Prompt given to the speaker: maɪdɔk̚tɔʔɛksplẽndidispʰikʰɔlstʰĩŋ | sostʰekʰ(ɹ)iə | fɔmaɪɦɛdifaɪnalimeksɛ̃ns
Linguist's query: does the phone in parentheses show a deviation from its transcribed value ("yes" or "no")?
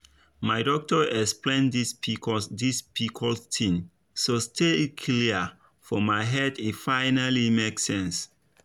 yes